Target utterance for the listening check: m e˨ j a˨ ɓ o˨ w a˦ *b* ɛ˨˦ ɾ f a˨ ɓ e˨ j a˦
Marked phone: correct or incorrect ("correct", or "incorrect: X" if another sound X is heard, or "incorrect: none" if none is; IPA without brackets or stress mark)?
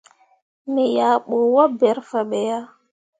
correct